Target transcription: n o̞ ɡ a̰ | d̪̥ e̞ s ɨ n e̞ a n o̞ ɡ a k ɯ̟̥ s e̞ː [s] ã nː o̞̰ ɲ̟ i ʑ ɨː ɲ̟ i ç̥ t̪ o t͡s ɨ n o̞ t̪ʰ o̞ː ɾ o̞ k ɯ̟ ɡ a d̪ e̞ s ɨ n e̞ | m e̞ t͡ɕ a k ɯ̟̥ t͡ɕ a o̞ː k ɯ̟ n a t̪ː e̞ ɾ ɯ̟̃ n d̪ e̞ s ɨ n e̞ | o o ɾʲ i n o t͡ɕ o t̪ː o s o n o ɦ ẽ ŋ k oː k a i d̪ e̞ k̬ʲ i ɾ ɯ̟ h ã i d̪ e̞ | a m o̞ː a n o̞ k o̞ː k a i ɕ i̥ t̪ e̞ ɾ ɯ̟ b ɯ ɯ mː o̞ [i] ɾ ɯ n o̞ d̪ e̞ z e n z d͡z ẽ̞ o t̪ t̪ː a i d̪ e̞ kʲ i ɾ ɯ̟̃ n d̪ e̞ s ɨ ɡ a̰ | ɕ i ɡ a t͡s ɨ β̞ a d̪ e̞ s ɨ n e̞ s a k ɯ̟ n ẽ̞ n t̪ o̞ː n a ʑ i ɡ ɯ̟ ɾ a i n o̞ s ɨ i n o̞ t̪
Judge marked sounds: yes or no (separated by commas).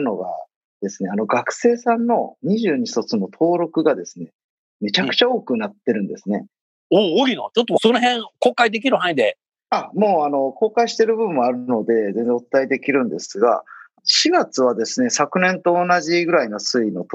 yes, no